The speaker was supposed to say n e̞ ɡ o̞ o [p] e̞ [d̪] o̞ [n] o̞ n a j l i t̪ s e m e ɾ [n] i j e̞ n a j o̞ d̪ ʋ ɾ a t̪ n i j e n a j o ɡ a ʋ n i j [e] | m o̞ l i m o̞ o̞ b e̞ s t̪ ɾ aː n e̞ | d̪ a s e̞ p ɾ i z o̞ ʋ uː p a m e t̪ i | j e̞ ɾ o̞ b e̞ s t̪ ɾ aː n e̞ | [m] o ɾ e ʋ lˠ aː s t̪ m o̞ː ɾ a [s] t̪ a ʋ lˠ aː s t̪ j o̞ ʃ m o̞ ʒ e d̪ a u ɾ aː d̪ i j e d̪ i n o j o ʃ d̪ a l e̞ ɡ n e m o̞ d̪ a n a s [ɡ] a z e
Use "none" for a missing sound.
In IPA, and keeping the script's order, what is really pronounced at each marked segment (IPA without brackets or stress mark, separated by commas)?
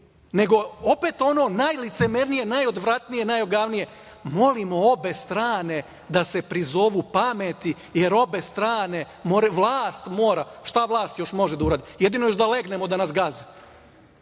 p, t̪, n, n, e, m, ʃ, ɡ